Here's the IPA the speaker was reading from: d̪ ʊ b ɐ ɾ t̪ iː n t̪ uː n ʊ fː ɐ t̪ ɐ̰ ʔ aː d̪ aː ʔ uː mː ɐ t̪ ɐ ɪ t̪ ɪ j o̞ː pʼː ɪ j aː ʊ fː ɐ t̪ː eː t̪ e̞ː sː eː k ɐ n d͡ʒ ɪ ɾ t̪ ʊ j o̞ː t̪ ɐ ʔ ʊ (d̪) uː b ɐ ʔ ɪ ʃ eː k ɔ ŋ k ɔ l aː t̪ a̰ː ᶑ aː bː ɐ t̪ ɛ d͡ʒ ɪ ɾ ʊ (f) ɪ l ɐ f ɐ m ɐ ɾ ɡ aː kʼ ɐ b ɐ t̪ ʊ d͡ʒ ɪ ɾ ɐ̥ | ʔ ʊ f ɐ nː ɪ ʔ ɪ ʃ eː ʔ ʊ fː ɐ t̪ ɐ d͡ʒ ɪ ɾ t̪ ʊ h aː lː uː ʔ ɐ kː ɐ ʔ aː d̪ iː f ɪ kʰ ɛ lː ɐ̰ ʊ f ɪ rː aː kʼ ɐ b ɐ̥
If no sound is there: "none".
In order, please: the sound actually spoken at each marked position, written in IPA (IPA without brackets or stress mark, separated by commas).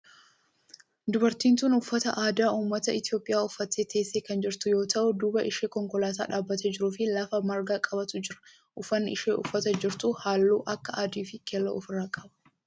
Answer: d̪, f